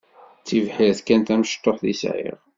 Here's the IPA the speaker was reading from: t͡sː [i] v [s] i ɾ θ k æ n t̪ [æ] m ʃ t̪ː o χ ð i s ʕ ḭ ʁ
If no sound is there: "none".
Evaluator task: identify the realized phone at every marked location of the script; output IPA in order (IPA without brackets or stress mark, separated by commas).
i, ħ, æ